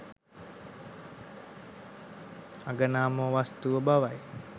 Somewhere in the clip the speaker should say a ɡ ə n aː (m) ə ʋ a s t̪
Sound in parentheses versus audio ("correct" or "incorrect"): correct